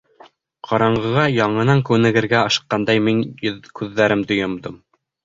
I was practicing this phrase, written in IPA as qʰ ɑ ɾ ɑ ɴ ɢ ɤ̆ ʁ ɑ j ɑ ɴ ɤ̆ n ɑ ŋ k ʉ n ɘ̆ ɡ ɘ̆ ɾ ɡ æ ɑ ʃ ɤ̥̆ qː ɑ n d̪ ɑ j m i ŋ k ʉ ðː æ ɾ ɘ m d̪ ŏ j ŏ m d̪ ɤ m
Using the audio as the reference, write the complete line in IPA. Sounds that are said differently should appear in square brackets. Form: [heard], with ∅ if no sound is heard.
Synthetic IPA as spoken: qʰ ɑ ɾ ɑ ɴ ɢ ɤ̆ ʁ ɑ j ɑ ɴ ɤ̆ n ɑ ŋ k ʉ n ɘ̆ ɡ ɘ̆ ɾ ɡ æ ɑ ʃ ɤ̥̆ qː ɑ n d̪ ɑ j m i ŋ k ʉ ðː æ ɾ ɘ m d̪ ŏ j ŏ m d̪ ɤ m